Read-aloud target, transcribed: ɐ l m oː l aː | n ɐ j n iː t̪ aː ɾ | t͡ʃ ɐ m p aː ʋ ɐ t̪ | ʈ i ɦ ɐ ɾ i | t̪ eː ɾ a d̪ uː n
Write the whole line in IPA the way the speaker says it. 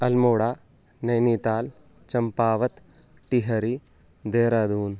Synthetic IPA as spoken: ɐ l m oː ɽ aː | n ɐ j n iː t̪ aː l | t͡ʃ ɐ m p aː ʋ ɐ t̪ | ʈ i ɦ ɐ ɾ i | d̪ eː ɾ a d̪ uː n